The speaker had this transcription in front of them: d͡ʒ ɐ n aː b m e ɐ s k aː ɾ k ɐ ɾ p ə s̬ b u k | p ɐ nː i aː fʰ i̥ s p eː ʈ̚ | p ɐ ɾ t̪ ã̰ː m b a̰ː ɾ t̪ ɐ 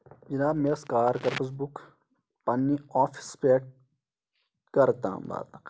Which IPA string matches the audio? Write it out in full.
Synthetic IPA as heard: d͡ʒ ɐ n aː b m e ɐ s k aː ɾ k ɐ ɾ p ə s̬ b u k | p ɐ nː i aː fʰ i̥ s p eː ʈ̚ | k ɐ ɾ t̪ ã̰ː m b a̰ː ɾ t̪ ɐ